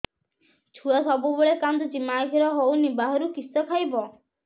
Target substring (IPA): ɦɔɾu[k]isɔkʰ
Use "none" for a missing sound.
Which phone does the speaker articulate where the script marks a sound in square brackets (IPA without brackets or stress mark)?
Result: k